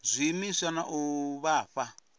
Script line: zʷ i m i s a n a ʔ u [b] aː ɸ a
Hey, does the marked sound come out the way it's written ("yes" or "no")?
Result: no